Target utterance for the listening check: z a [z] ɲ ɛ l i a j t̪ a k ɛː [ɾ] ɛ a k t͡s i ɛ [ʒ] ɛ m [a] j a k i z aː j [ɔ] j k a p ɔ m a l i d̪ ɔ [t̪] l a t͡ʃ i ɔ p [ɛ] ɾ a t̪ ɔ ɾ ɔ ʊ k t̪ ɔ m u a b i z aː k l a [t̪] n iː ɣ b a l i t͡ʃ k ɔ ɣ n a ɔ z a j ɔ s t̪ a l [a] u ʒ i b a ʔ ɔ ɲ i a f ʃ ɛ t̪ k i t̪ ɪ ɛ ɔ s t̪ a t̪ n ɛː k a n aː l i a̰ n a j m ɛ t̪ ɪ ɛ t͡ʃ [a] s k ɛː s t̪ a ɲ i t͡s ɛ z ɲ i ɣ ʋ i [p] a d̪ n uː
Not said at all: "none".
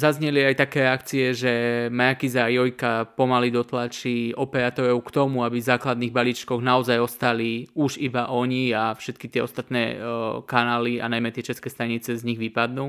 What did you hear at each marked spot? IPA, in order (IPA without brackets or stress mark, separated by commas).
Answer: z, ɾ, ʒ, a, ɔ, t̪, ɛ, d̪, i, ɛ, p